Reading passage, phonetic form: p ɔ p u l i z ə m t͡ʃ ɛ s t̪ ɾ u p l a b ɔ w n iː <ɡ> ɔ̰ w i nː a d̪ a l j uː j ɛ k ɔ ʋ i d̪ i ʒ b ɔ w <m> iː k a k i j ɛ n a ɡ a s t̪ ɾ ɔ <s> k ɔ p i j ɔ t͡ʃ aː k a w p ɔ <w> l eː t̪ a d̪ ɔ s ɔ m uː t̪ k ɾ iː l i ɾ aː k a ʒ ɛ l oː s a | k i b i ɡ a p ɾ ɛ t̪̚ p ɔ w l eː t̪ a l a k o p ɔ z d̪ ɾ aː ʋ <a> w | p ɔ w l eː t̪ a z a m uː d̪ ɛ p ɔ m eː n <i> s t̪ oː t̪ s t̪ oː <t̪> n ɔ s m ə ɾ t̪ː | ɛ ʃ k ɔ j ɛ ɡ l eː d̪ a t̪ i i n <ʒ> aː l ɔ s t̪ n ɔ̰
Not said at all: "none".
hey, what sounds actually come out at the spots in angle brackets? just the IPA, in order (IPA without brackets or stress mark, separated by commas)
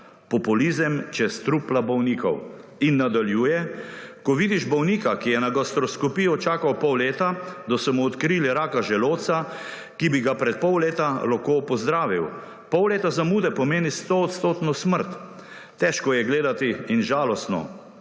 k, n, s, w, i, i, t̪, ʒ